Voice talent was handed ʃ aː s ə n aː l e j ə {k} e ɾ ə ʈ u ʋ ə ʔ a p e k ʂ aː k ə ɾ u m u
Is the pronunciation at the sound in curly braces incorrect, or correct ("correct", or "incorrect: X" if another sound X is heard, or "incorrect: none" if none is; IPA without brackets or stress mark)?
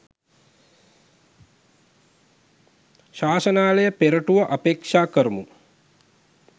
incorrect: p